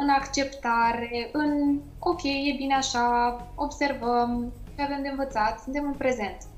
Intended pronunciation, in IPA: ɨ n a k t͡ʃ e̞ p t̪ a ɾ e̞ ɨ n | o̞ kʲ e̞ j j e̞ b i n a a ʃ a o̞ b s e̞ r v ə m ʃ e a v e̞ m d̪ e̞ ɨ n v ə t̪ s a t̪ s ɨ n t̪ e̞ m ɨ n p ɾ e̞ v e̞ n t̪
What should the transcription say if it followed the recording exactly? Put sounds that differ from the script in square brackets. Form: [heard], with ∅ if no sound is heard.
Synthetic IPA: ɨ n a k t͡ʃ e̞ p t̪ a ɾ e̞ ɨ n | o̞ kʲ e̞ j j e̞ b i n [e] a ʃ a o̞ b s e̞ r v ə m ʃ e a v e̞ m d̪ e̞ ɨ n v ə t̪ s a t̪ s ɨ n t̪ e̞ m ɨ n p ɾ e̞ [z] e̞ n t̪